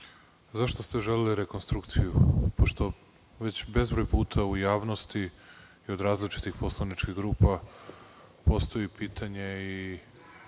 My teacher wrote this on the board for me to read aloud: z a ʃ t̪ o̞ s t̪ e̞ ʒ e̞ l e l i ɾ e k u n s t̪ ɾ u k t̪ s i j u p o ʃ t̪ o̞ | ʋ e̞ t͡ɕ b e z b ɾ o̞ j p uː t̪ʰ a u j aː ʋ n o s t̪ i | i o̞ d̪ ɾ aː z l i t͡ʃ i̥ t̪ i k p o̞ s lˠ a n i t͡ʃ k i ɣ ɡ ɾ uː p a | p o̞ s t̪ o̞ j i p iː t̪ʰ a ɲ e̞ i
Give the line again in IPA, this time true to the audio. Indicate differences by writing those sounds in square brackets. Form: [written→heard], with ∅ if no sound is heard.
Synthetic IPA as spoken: z a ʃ t̪ o̞ s t̪ e̞ ʒ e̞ l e l i ɾ e k [u→o] n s t̪ ɾ u k t̪ s i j u p o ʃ t̪ o̞ | ʋ e̞ t͡ɕ b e z b ɾ o̞ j p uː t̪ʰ a u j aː ʋ n o s t̪ i | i o̞ d̪ ɾ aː z l i t͡ʃ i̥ t̪ i [k→x] p o̞ s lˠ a n i t͡ʃ k i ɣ ɡ ɾ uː p a | p o̞ s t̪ o̞ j i p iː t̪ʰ a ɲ e̞ i

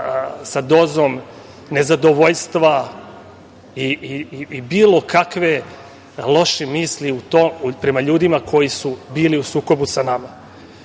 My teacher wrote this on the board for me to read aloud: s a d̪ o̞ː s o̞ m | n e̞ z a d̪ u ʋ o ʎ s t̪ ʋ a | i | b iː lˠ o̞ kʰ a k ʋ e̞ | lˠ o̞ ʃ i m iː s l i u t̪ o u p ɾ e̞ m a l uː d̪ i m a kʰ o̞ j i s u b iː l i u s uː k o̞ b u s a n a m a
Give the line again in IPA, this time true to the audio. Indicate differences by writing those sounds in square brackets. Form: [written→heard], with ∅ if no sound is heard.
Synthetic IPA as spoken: s a d̪ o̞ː [s→z] o̞ m | n e̞ z a d̪ [u→o] ʋ o ʎ s t̪ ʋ a | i | b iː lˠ o̞ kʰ a k ʋ e̞ | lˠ o̞ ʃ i m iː s l i u t̪ o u p ɾ e̞ m a [l→ʎ] uː d̪ i m a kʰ o̞ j i s u b iː l i u s uː k o̞ b u s a n a m a

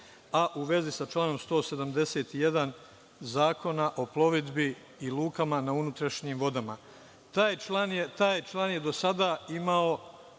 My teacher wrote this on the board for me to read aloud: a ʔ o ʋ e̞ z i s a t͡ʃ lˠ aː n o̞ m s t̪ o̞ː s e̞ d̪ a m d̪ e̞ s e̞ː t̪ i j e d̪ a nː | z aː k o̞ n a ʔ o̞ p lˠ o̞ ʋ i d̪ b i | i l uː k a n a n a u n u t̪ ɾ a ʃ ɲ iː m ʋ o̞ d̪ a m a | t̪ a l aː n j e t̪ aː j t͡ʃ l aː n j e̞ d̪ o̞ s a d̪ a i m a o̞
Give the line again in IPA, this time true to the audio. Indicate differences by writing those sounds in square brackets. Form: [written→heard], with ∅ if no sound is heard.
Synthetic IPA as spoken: a ʔ [o→u] ʋ e̞ z i s a t͡ʃ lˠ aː n o̞ m s t̪ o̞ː s e̞ d̪ a m d̪ e̞ s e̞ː t̪ i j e d̪ a [nː→n] | z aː k o̞ n a ʔ o̞ p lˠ o̞ ʋ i d̪ b i | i l uː k a [n→m] a n a u n u t̪ ɾ a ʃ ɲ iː m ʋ o̞ d̪ a m a | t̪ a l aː n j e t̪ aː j t͡ʃ l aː n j e̞ d̪ o̞ s a d̪ a i m a o̞

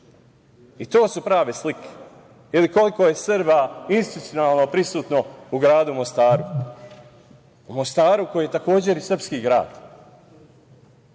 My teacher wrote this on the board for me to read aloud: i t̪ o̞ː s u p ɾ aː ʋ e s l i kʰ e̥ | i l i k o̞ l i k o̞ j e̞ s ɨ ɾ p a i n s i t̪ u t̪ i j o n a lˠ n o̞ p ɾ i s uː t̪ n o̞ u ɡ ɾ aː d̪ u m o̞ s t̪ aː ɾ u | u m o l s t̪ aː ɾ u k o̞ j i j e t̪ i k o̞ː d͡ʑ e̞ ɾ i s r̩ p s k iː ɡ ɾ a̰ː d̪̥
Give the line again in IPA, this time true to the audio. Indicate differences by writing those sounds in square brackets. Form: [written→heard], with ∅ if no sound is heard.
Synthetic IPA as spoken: i t̪ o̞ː s u p ɾ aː ʋ e s l i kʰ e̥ | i l i k o̞ l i k o̞ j e̞ s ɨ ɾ [p→b] a i n s i t̪ u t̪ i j o n a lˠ n o̞ p ɾ i s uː t̪ n o̞ u ɡ ɾ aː d̪ u m o̞ s t̪ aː ɾ u | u m o [l→∅] s t̪ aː ɾ u k o̞ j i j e t̪ [i→a] k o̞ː d͡ʑ e̞ ɾ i s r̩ p s k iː ɡ ɾ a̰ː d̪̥

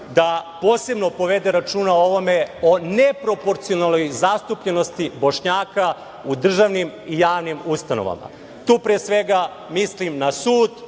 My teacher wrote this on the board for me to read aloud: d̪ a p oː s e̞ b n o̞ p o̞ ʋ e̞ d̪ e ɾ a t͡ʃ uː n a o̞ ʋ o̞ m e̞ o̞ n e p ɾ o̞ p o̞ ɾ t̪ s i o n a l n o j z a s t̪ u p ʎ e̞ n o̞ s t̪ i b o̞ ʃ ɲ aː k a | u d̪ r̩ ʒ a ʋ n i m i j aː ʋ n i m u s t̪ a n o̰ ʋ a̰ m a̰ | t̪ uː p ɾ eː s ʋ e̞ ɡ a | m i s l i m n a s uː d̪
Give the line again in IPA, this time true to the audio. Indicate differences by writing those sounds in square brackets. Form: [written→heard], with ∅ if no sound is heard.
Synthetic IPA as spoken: d̪ a p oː s e̞ b n o̞ p o̞ ʋ e̞ d̪ e ɾ a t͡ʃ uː n a o̞ ʋ o̞ m e̞ o̞ n e p ɾ o̞ p o̞ ɾ t̪ s i o n a l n o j z a s t̪ u p ʎ e̞ n o̞ s t̪ i b o̞ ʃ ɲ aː k a | u d̪ r̩ ʒ a ʋ n i m i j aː ʋ n i m u s t̪ a n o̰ ʋ a̰ m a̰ | t̪ uː p ɾ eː s ʋ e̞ ɡ a | m i s l i m n a s uː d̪

